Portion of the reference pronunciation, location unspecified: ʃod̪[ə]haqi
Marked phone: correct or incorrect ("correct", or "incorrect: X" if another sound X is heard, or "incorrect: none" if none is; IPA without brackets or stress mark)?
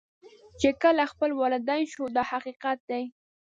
incorrect: ɑ